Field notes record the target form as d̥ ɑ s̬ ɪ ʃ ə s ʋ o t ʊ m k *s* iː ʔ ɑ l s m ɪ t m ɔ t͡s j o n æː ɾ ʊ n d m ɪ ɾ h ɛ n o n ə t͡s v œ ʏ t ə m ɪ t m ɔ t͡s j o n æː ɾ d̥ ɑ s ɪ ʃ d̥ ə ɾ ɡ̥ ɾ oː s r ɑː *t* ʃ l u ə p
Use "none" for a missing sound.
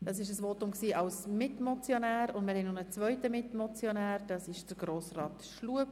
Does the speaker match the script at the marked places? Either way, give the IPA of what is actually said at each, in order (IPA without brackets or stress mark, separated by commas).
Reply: s, t